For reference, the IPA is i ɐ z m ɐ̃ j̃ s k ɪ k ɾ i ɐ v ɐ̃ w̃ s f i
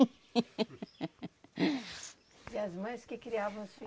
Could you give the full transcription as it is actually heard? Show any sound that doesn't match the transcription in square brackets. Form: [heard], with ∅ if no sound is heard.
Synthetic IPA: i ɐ z m ɐ̃ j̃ s k ɪ k ɾ i [a] v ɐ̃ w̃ s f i